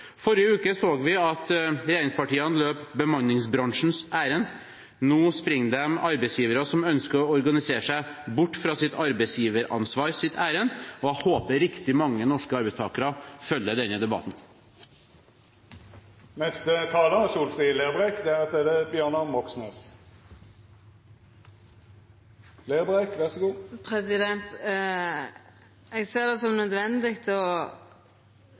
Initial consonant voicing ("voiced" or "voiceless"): voiceless